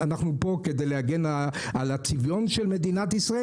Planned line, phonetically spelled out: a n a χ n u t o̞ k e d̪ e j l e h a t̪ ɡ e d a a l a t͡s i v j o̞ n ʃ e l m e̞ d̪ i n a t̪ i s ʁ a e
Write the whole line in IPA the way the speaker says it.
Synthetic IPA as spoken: a n a χ n u p o̞ k e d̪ e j l e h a ɡ e n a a l a t͡s i v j o̞ n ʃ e l m e̞ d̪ i n a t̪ i s ʁ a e